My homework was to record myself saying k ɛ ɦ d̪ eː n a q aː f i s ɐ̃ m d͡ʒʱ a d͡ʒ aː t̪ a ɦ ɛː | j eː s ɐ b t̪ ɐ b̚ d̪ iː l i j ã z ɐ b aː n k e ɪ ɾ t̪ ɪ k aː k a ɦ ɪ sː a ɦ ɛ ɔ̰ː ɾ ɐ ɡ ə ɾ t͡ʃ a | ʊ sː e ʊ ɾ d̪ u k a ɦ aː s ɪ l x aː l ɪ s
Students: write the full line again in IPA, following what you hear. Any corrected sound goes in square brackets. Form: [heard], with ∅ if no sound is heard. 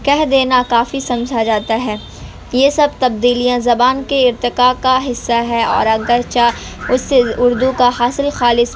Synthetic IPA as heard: k ɛ ɦ d̪ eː n a [k] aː f i s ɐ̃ m d͡ʒʱ a d͡ʒ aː t̪ a ɦ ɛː | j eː s ɐ b t̪ ɐ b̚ d̪ iː l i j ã z ɐ b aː n k e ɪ ɾ t̪ ɪ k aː k a ɦ ɪ sː a ɦ ɛ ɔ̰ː ɾ ɐ ɡ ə ɾ t͡ʃ a | ʊ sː e ʊ ɾ d̪ u k a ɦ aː s ɪ l x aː l ɪ s